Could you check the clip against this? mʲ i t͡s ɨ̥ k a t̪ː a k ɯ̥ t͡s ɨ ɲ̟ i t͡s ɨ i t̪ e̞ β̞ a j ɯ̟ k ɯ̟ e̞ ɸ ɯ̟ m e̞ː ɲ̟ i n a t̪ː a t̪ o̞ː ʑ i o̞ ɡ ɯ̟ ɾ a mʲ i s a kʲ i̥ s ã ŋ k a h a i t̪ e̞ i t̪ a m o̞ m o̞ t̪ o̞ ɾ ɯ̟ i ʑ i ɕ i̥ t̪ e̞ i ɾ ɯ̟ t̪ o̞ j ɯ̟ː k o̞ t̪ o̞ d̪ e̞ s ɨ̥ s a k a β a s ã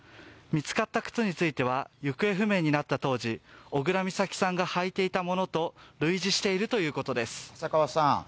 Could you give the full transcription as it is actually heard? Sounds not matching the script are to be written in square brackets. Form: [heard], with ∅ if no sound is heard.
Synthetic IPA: mʲ i t͡s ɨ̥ k a t̪ː a k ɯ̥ t͡s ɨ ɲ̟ i t͡s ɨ i t̪ e̞ β̞ a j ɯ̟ k ɯ̟ e̞ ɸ ɯ̟ m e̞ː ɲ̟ i n a t̪ː a t̪ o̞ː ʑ i o̞ ɡ ɯ̟ ɾ a mʲ i s a kʲ i̥ s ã ŋ [ɡ] a h a i t̪ e̞ i t̪ a m o̞ [n] o̞ t̪ o̞ ɾ ɯ̟ i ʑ i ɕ i̥ t̪ e̞ i ɾ ɯ̟ t̪ o̞ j ɯ̟ː k o̞ t̪ o̞ d̪ e̞ s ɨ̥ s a k a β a s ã

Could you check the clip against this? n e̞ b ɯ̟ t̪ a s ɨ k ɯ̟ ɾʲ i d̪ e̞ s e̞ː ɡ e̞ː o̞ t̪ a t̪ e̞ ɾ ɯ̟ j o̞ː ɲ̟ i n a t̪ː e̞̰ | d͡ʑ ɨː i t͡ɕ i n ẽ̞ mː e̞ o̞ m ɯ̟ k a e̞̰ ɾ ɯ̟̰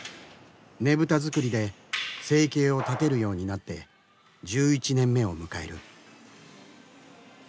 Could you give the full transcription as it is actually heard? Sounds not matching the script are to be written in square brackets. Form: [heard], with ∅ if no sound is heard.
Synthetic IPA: n e̞ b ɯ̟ t̪ a [z] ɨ k ɯ̟ ɾʲ i d̪ e̞ s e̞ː [k] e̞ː o̞ t̪ a t̪ e̞ ɾ ɯ̟ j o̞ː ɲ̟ i n a t̪ː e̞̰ | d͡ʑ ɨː i t͡ɕ i n ẽ̞ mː e̞ o̞ m ɯ̟ k a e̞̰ ɾ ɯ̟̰

